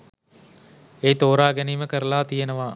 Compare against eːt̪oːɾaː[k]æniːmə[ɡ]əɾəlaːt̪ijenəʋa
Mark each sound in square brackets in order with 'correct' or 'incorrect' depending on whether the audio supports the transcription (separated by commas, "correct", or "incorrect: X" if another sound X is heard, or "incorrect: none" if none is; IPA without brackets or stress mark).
incorrect: ɡ, incorrect: k